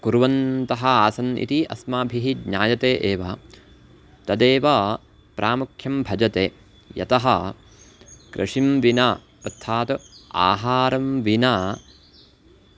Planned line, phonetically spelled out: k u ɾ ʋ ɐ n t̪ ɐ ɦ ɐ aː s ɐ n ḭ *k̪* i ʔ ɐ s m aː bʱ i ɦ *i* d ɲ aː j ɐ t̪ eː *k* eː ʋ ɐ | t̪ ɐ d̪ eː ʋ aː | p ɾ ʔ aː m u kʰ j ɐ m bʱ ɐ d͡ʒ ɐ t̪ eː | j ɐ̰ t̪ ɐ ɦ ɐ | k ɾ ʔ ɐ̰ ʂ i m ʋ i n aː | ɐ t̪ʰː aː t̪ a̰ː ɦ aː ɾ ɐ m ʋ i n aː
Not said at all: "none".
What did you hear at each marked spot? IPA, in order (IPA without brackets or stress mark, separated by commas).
t̪, i, ʔ